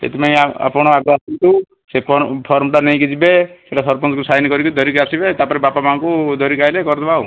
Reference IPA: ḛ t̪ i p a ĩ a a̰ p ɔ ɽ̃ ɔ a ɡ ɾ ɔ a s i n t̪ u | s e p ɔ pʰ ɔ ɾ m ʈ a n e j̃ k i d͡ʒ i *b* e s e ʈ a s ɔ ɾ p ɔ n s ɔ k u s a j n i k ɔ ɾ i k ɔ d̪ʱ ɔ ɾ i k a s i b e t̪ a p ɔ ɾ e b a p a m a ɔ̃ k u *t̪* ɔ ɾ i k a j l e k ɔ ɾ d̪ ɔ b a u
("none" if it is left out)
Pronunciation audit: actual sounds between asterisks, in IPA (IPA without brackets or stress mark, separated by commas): b, d̪